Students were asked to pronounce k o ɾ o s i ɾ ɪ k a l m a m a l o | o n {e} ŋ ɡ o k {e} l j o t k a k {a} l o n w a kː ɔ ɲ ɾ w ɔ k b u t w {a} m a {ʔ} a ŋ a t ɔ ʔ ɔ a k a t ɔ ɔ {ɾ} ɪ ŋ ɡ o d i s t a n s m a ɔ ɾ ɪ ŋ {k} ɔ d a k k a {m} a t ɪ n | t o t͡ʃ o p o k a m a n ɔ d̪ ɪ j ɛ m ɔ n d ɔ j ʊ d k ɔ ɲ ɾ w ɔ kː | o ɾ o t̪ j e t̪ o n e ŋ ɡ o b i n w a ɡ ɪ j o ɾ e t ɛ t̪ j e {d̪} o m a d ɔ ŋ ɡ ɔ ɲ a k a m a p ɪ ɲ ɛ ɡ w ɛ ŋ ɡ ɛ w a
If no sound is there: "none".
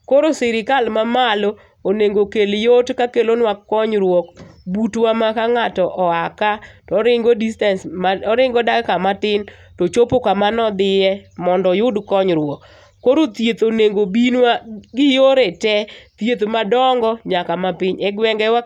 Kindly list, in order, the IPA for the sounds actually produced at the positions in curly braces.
e, e, e, a, k, ɾ, ɡ, m, t̪

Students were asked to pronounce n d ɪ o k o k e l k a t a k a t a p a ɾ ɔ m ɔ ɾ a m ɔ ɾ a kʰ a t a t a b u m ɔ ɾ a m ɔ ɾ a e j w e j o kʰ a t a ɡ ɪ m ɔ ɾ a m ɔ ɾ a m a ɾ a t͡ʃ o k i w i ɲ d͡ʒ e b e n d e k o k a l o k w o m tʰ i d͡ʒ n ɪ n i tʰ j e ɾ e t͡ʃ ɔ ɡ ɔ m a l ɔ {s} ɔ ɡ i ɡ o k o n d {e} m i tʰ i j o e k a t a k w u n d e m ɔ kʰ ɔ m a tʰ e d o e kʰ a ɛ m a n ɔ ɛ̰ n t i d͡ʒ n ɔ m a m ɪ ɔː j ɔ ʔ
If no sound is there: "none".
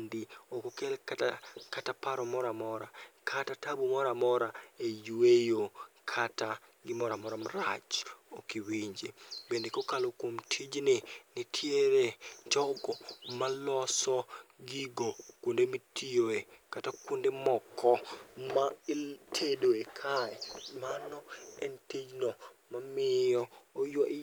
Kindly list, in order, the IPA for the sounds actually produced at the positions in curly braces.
s, e

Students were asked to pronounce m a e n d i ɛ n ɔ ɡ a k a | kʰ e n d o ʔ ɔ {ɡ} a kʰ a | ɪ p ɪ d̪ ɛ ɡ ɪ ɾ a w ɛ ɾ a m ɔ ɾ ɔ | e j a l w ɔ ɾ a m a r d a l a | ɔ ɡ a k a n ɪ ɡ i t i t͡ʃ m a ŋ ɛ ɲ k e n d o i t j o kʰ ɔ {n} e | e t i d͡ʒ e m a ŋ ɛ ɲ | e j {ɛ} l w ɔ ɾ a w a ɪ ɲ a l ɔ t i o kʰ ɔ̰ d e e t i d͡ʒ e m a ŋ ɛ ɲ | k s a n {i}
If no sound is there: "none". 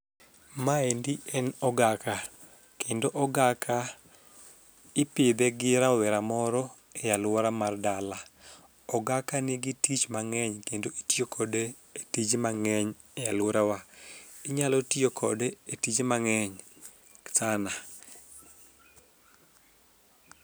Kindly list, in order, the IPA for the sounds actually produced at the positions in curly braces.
ɡ, d, a, a

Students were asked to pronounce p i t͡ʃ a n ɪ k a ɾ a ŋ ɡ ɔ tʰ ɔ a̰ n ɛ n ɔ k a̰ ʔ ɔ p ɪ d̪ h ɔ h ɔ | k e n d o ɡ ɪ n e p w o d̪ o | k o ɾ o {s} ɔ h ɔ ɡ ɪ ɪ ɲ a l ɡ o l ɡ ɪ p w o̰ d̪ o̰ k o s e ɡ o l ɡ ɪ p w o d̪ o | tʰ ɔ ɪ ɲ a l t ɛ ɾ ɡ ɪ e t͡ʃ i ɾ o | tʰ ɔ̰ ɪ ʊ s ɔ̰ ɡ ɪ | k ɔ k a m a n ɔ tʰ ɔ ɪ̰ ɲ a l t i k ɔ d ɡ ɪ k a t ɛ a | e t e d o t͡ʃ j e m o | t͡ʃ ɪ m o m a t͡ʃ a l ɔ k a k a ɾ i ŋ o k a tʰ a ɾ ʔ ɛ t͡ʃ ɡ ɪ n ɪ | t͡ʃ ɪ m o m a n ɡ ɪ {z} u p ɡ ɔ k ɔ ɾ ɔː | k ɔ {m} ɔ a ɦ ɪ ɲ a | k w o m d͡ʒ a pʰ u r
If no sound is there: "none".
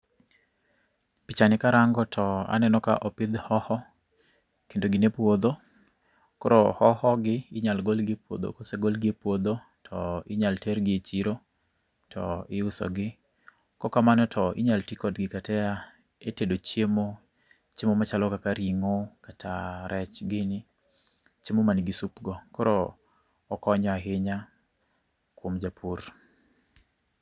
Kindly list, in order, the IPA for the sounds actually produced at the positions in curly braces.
h, s, ɲ

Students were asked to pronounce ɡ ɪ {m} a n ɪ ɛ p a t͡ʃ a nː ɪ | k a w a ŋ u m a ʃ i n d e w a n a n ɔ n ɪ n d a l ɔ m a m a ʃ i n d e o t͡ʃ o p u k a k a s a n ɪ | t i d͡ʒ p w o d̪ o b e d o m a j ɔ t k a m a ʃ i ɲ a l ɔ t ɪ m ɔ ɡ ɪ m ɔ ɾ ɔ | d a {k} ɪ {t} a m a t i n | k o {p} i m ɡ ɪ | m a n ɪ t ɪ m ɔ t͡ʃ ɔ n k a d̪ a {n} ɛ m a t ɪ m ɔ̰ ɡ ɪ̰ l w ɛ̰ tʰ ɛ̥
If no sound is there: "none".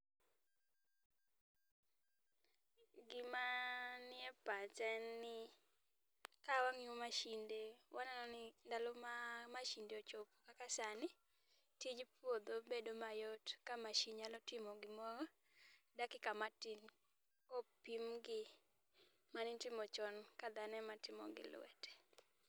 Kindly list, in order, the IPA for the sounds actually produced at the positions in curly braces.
m, k, k, p, n

